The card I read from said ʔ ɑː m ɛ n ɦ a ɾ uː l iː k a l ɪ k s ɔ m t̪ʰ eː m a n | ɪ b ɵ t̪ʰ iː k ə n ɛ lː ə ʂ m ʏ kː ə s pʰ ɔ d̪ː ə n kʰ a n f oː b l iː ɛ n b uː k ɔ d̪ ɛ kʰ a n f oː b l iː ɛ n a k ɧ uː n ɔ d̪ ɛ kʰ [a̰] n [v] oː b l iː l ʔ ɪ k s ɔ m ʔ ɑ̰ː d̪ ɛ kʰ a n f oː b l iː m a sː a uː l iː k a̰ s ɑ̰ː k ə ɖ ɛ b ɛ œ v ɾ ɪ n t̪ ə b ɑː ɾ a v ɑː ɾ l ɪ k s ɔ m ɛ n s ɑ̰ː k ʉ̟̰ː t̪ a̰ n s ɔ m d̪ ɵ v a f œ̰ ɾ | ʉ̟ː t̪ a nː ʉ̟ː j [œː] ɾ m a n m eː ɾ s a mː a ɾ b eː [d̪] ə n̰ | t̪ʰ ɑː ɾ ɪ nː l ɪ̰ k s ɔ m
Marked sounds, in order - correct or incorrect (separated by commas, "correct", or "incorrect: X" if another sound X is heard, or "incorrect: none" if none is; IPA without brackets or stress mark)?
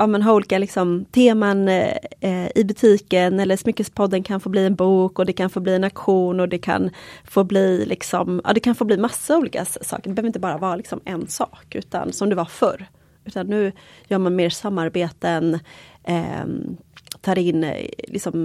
correct, incorrect: f, correct, incorrect: t̪